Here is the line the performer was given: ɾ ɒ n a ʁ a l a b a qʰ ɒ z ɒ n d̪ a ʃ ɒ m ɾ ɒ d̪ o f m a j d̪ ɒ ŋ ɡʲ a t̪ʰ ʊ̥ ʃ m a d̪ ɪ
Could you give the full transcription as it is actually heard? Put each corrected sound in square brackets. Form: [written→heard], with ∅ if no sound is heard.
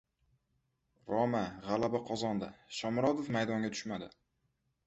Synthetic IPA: ɾ ɒ [n→m] a ʁ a l a b a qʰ ɒ z ɒ n d̪ a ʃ ɒ m ɾ ɒ d̪ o f m a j d̪ ɒ ŋ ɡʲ a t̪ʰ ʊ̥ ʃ m a d̪ ɪ